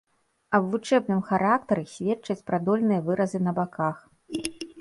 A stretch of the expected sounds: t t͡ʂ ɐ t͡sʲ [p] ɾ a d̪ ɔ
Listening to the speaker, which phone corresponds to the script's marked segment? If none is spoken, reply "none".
p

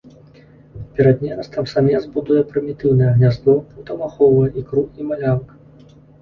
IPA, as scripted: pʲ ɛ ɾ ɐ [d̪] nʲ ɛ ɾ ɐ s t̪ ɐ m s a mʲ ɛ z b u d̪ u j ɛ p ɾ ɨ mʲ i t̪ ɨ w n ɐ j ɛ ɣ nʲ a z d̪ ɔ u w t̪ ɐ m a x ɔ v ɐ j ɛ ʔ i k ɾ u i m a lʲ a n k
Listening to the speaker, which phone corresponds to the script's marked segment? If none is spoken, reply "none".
d̪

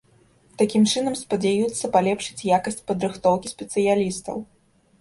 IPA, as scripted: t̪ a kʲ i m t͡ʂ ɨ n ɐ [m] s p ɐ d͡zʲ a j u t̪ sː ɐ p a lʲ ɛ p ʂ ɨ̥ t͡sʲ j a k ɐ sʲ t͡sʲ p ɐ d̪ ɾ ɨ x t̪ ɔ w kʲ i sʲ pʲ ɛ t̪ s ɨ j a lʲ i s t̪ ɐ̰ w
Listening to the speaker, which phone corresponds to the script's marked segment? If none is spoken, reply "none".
m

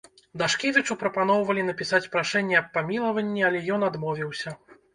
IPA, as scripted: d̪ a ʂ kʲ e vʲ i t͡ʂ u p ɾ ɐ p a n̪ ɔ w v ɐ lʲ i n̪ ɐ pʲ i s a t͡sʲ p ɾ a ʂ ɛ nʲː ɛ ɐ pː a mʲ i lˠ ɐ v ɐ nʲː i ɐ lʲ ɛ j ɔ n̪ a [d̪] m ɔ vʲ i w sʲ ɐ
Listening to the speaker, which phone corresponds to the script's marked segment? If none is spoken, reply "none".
d̪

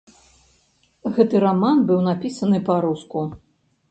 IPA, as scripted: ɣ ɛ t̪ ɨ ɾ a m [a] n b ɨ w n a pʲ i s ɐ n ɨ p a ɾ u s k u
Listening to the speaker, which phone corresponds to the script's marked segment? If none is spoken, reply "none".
a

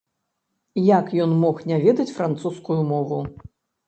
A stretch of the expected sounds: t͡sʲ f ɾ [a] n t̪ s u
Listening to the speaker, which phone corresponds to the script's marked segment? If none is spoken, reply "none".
a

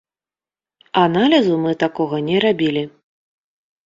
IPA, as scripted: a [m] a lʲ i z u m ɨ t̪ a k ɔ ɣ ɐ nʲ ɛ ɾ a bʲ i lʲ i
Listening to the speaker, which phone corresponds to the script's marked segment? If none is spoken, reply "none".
n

